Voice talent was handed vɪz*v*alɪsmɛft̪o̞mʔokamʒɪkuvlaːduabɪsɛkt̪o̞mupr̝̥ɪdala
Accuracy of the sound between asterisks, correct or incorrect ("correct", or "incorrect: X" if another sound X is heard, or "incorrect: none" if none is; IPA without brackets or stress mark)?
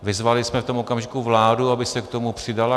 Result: correct